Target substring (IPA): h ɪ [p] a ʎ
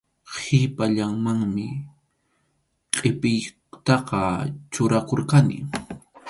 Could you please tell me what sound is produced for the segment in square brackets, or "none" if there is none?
p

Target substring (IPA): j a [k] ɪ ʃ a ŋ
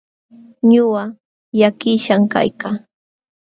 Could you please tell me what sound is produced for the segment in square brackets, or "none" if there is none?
k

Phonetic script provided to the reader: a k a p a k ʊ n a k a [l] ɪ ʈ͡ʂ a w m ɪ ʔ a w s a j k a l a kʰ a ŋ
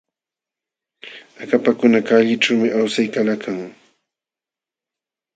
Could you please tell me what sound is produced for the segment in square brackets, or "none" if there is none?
ʎ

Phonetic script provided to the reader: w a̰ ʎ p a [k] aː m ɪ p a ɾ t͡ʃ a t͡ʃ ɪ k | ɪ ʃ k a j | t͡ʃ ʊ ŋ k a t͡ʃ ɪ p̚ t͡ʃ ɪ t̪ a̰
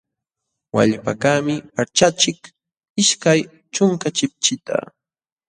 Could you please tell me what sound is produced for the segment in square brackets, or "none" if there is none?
k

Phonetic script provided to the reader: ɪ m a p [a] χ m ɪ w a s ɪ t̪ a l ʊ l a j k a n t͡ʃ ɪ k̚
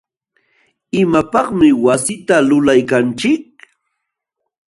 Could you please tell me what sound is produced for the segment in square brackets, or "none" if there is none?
ɑ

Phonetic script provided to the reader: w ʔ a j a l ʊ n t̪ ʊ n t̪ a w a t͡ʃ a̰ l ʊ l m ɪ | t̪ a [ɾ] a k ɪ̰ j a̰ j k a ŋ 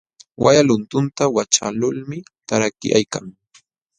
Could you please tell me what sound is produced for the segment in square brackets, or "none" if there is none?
ɾ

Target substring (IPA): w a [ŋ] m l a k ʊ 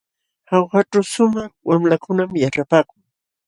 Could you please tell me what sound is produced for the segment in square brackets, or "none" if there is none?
none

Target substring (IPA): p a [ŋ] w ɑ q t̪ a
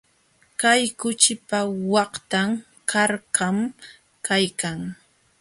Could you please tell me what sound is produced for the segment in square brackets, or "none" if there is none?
none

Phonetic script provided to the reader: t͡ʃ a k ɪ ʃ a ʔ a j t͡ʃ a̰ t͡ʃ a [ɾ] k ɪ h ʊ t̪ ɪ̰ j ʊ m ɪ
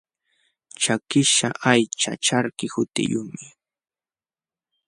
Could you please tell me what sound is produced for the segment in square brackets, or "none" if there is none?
ɾ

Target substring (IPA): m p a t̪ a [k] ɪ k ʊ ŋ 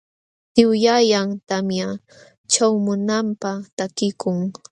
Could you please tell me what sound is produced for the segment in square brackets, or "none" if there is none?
k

